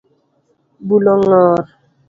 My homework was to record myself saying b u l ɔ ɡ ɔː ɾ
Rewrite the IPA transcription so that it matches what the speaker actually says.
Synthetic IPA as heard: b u l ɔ ŋ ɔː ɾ